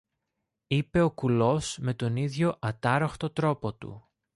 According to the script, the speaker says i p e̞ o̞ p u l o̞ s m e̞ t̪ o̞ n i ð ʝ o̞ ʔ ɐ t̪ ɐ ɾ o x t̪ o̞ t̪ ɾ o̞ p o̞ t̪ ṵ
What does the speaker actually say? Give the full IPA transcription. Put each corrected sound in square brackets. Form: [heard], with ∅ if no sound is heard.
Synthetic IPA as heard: i p e̞ o̞ [k] u l o̞ s m e̞ t̪ o̞ n i ð ʝ o̞ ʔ ɐ t̪ ɐ ɾ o x t̪ o̞ t̪ ɾ o̞ p o̞ t̪ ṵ